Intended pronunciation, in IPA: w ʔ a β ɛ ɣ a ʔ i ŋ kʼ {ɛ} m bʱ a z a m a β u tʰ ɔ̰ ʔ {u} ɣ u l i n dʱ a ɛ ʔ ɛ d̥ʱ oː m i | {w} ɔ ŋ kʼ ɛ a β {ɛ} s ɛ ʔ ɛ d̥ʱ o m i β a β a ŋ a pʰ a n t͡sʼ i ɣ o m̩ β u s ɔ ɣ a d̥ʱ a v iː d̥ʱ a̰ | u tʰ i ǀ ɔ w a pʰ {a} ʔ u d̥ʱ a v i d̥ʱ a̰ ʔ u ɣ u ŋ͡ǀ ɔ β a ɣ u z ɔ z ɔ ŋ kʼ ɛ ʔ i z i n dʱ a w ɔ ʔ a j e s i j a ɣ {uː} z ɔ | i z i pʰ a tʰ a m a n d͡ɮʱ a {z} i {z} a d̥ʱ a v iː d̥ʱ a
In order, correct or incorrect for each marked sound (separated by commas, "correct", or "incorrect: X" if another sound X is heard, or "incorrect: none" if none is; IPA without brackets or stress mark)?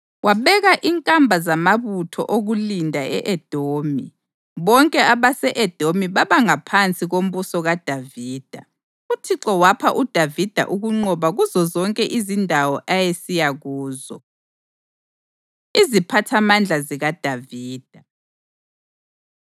incorrect: a, incorrect: o, incorrect: β, incorrect: a, correct, correct, correct, incorrect: ɣ